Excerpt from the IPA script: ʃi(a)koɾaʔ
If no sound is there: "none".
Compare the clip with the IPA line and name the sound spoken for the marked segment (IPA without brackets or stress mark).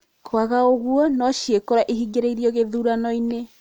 e